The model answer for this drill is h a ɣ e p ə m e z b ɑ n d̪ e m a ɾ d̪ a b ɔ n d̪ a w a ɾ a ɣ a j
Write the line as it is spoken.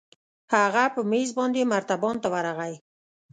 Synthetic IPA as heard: h a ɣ a p ə m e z b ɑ n d̪ e m a ɾ t̪ a b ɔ n t̪ a w a ɾ a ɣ a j